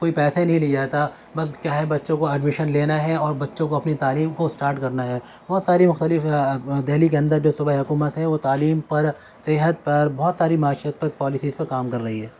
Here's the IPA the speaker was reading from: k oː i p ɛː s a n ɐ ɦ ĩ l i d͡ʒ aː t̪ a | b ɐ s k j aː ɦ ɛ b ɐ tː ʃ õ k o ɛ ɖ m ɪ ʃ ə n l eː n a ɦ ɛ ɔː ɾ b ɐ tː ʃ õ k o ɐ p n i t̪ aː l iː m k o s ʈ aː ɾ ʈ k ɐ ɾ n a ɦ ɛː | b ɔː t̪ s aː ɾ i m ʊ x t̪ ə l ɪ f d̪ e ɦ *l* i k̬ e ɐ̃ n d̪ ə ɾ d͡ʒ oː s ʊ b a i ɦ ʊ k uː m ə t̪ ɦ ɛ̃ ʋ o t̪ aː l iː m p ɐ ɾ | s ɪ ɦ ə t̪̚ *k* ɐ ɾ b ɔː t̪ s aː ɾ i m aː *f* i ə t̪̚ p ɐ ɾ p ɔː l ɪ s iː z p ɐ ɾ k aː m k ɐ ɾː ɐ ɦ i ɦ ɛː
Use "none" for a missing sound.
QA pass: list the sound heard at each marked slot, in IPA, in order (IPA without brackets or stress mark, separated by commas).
l, p, ʃ